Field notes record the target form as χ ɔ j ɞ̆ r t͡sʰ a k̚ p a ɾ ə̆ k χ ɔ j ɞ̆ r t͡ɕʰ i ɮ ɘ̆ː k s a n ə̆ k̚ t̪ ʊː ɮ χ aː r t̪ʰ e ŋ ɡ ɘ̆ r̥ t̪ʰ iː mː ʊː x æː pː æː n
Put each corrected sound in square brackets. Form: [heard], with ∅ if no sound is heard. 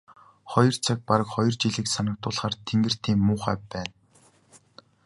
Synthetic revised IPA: χ ɔ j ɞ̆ r t͡sʰ a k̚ p a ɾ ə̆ k χ ɔ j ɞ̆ r [t͡ɕ] i ɮ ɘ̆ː k s a n ə̆ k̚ t̪ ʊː ɮ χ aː r t̪ʰ e ŋ ɡ ɘ̆ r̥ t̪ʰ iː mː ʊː [χ] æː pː æː n